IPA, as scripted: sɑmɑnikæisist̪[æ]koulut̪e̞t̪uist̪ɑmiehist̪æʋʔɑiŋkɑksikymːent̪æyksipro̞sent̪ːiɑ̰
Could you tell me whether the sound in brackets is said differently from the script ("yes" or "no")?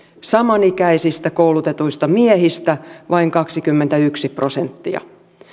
no